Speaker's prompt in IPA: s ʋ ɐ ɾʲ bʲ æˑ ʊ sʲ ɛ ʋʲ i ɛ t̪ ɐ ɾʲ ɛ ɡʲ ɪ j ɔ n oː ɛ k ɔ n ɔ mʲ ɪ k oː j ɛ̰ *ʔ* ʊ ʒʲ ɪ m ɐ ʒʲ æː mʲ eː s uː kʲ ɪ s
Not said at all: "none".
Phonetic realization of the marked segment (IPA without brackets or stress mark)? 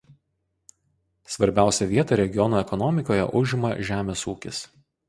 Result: ʔ